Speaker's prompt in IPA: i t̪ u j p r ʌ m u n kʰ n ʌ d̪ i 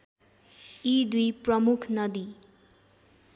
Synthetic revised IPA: i d̪ u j p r ʌ m u kʰ n ʌ d̪ i